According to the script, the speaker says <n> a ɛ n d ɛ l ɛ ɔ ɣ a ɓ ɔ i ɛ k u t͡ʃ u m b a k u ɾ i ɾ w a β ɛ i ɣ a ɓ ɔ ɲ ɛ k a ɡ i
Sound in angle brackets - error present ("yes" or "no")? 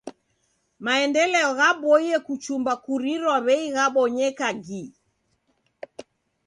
yes